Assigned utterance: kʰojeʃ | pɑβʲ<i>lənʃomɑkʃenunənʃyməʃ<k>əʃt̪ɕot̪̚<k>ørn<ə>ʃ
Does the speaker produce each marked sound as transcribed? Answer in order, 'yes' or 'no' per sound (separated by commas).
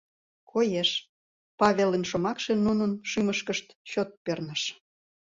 no, yes, no, yes